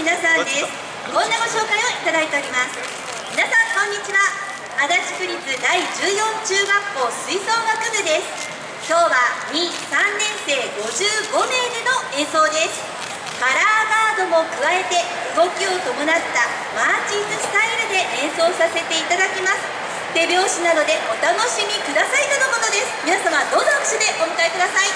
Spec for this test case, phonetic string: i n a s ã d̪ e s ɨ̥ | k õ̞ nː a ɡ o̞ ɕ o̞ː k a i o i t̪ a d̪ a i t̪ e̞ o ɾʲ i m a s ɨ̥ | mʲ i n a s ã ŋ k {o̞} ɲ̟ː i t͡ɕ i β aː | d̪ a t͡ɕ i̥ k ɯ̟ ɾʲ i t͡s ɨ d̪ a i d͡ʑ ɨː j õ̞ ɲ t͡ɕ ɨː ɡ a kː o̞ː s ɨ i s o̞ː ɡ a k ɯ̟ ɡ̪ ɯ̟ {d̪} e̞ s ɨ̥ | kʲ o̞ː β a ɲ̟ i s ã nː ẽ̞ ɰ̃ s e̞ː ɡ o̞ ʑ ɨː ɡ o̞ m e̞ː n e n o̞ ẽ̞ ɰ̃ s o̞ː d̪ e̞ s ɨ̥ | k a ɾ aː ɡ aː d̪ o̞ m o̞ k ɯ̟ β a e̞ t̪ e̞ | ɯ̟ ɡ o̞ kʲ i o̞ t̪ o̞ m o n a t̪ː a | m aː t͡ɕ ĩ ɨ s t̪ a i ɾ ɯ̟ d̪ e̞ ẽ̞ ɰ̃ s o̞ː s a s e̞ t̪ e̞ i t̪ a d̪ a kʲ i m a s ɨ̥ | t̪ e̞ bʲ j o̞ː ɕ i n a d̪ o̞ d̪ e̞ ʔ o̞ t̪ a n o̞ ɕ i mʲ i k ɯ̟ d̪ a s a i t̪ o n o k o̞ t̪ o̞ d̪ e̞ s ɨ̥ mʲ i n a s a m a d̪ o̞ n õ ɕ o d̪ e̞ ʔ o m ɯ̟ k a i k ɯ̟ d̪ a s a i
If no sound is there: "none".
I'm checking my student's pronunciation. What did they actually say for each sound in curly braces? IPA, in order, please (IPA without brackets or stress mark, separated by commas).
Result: õ̞, d̪